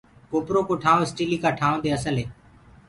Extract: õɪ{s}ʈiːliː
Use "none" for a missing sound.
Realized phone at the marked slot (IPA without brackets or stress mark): s